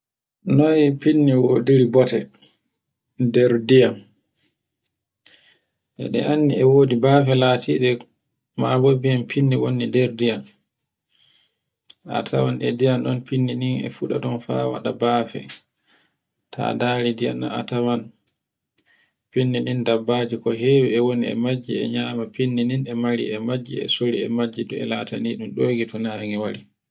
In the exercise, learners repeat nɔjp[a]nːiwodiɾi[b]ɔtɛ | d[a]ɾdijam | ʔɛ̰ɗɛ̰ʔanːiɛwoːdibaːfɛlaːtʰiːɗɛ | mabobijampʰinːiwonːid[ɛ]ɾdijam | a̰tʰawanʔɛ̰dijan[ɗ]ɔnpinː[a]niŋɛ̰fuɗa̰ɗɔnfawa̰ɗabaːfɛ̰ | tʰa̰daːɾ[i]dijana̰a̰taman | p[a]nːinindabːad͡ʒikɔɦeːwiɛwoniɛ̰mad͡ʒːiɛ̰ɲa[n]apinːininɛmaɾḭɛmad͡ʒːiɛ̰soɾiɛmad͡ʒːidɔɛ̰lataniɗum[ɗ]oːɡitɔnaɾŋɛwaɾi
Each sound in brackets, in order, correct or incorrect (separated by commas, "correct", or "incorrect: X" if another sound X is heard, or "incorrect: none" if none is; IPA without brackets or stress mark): incorrect: i, correct, incorrect: ɛ, correct, correct, incorrect: i, correct, incorrect: i, incorrect: m, correct